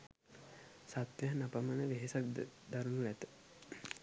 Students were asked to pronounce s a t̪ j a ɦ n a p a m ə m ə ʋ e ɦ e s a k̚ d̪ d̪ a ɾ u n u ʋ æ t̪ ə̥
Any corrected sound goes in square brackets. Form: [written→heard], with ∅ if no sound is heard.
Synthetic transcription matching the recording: s a t̪ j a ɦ n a p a m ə [m→n] ə ʋ e ɦ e s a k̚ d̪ d̪ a ɾ u n u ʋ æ t̪ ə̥